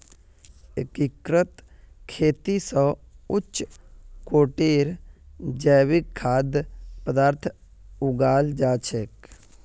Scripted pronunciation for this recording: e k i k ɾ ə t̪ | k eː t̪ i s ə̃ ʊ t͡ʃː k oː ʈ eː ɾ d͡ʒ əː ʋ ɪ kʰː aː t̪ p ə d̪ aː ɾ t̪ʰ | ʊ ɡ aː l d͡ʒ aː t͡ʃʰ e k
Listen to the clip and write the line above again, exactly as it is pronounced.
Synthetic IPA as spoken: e k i k ɾ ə t̪ | kʰ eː t̪ i s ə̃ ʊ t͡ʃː k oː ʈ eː ɾ d͡ʒ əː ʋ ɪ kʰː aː d̪ p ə d̪ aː ɾ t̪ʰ | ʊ ɡ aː l d͡ʒ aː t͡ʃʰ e k